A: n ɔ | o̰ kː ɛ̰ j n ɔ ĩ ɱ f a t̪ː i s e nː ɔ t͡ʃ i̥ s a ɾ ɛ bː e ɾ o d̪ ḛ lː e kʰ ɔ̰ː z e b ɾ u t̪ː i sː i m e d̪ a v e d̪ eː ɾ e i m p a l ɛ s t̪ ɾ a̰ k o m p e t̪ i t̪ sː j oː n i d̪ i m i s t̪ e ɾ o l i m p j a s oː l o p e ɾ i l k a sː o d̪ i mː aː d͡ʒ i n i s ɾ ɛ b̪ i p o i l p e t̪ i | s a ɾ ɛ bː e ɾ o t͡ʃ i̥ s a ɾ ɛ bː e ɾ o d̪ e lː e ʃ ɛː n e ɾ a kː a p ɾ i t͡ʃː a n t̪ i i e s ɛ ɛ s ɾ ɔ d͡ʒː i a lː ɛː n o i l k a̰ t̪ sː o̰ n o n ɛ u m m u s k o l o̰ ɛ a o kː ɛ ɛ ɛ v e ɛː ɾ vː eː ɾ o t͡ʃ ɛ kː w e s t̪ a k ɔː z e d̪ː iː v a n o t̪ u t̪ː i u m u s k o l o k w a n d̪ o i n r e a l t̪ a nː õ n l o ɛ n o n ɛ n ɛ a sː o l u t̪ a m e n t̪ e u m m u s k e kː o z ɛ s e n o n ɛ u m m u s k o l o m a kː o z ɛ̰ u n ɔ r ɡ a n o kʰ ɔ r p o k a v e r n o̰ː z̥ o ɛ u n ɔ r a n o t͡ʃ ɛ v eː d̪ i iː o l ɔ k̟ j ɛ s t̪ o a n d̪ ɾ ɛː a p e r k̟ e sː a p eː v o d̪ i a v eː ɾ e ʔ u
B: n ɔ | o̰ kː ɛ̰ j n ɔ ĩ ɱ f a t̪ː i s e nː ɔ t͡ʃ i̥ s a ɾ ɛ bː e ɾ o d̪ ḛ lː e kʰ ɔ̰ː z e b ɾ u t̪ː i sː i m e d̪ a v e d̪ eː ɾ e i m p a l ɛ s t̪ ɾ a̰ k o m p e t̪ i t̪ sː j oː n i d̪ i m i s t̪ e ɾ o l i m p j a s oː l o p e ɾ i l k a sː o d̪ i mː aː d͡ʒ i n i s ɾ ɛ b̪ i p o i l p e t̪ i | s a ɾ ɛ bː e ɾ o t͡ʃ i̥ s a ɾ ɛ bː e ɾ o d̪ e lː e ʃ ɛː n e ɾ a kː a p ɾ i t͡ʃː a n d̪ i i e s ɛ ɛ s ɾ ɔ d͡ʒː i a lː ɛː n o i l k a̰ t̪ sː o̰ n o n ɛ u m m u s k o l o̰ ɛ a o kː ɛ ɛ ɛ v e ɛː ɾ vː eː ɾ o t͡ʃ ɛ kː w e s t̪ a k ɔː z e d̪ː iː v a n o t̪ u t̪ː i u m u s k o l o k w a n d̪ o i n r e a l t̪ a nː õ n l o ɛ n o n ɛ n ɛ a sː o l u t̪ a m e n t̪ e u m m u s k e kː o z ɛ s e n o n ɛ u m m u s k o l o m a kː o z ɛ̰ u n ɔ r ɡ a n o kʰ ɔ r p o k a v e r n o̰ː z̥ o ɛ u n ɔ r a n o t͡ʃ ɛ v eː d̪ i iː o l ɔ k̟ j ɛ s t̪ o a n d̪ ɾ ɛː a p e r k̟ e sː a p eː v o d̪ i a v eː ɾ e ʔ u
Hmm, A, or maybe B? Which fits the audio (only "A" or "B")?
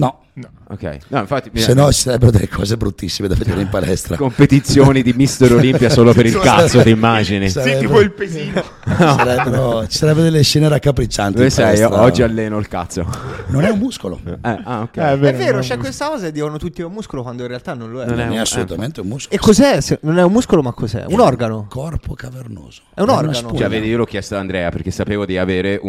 A